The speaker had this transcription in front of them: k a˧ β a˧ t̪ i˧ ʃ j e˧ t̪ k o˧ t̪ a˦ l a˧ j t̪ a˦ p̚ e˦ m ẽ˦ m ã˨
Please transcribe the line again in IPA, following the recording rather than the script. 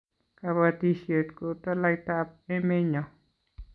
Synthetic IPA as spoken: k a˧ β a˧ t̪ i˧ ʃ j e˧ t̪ k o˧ t̪ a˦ l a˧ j t̪ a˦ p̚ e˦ m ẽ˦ ɲ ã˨